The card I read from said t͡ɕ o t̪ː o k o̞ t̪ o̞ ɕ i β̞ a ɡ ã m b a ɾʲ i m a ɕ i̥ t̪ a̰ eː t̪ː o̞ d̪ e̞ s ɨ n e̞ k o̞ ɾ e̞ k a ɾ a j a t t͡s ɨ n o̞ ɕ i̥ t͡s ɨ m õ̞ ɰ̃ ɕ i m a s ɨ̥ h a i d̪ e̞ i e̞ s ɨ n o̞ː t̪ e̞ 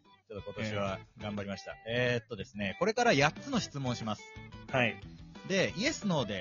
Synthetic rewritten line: t͡ɕ o t̪ː o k o̞ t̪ o̞ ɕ i β̞ a ɡ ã m b a ɾʲ i m a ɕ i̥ t̪ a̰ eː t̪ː o̞ d̪ e̞ s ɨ n e̞ k o̞ ɾ e̞ k a ɾ a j a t t͡s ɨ n o̞ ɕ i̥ t͡s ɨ m õ̞ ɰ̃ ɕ i m a s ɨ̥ h a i d̪ e̞ i e̞ s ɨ n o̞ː d̪ e̞